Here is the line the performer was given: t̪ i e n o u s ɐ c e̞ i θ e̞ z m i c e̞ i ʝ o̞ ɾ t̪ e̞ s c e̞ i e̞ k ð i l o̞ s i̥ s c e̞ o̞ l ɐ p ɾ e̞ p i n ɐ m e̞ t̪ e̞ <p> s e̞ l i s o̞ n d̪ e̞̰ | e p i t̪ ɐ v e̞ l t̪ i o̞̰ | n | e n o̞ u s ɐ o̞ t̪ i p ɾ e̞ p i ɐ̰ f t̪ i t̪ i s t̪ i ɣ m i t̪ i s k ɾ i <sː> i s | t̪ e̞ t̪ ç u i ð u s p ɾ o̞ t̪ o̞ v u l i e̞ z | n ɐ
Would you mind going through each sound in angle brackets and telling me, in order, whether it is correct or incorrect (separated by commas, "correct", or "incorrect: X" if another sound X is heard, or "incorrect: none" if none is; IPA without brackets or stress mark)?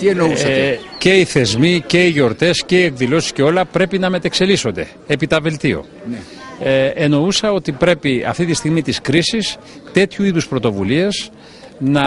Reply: incorrect: k, incorrect: s